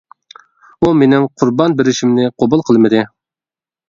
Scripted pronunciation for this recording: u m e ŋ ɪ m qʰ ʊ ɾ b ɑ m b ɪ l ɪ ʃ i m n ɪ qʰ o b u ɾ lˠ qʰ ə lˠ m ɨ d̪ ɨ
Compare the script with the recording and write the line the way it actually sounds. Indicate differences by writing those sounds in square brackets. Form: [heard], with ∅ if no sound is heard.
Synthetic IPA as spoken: u m e [n] ɪ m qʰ ʊ ɾ b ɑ [n] b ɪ [ɾ] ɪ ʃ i m n ɪ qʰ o b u [∅] lˠ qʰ ə lˠ m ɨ d̪ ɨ